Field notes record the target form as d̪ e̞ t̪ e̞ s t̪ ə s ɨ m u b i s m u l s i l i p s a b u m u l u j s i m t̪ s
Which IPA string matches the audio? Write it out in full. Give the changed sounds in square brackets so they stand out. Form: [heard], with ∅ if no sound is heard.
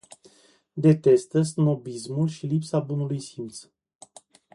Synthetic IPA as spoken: d̪ e̞ t̪ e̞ s t̪ ə s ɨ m [o] b i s m u l [ʃ] i l i p s a b u [n] u l u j s i m t̪ s